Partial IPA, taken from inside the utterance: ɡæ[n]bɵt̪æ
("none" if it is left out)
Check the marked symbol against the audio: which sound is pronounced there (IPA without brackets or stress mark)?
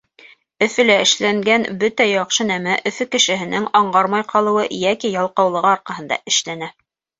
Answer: n